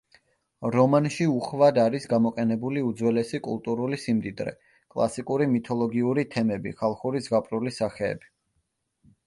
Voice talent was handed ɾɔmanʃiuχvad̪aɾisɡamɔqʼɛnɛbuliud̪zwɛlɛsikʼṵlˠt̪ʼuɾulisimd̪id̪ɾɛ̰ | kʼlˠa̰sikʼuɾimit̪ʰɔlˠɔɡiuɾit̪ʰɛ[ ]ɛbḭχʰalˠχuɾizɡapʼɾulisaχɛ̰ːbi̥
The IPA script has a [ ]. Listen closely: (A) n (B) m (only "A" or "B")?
B